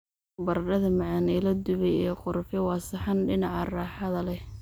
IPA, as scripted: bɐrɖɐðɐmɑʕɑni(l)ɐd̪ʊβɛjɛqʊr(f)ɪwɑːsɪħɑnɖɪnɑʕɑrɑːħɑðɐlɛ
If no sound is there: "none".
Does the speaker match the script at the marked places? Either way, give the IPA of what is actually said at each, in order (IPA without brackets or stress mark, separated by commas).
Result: l, f